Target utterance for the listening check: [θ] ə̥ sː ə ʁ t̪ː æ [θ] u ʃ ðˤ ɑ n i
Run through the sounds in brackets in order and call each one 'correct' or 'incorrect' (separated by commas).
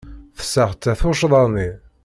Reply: correct, correct